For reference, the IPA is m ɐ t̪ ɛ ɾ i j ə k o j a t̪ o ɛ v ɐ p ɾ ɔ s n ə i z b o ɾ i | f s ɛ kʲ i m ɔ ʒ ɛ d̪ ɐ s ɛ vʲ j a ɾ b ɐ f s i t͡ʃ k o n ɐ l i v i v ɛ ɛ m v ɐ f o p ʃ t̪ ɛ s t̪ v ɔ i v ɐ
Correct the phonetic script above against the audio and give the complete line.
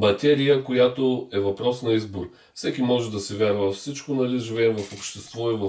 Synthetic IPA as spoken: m ɐ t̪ ɛ ɾ i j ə k o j a t̪ o ɛ v ɐ p ɾ ɔ s n ɐ i z b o ɾ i | f s ɛ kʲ i m ɔ ʒ ɛ d̪ ɐ s ɛ vʲ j a ɾ v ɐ f s i t͡ʃ k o n ɐ l i ʒ i v ɛ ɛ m v ɐ f o p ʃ t̪ ɛ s t̪ v ɔ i v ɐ